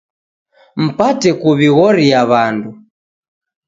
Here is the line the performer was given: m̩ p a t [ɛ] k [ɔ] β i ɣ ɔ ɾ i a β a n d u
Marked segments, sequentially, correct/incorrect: correct, incorrect

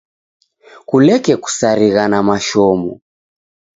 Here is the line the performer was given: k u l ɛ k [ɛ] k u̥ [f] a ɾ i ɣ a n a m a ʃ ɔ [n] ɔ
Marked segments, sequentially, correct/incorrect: correct, incorrect, incorrect

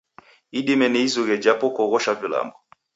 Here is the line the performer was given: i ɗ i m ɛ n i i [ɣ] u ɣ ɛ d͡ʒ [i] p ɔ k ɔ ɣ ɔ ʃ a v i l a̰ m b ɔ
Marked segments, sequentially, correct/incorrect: incorrect, incorrect

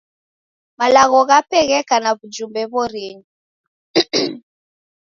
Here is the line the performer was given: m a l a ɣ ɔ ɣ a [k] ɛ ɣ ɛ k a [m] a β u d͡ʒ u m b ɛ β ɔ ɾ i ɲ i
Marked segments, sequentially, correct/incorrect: incorrect, incorrect

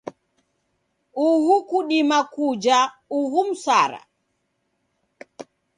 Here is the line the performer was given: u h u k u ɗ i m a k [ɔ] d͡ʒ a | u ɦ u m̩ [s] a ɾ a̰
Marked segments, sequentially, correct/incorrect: incorrect, correct

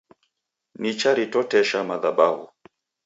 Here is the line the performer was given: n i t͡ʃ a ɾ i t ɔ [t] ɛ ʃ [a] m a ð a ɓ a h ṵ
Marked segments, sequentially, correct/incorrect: correct, correct

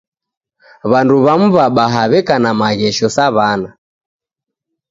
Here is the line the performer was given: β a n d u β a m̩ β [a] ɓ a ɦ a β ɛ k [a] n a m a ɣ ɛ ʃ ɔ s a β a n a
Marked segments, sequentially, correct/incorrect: correct, correct

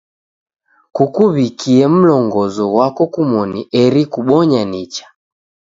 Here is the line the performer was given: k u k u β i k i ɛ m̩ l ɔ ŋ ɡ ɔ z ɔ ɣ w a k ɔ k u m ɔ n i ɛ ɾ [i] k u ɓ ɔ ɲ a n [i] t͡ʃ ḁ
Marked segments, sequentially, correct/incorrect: correct, correct

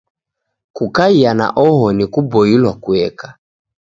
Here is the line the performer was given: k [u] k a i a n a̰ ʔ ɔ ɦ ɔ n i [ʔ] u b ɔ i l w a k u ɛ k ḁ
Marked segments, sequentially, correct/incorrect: correct, incorrect

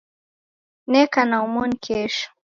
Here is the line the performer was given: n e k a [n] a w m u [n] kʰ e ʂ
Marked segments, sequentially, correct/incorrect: correct, correct

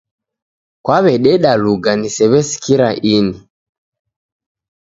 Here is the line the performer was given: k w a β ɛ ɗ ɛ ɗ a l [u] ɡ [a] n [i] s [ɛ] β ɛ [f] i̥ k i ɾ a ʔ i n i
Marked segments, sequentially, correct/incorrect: correct, correct, correct, correct, incorrect

